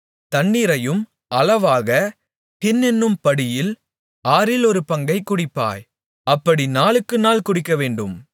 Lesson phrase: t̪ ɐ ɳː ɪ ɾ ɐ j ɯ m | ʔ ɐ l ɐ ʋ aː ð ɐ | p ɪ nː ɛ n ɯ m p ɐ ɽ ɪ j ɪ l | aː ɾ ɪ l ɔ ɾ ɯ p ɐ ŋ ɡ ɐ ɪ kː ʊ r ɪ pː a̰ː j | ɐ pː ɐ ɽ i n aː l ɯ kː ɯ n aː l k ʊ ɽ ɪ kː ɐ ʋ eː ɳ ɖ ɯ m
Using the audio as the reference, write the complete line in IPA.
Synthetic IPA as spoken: t̪ ɐ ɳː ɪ ɾ ɐ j ɯ m | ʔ ɐ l ɐ ʋ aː ɣ ɐ | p ɪ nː ɛ nː ɯ m p ɐ ɽ ɪ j ɪ l | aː ɾ ɪ l ɔ ɾ ɯ p ɐ ŋ ɡ ɐ ɪ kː ʊ ɽ ɪ pː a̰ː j | ɐ pː ɐ ɽ i n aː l ɯ kː ɯ n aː l k ʊ ɽ ɪ kː ɐ ʋ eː ɳ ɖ ɯ m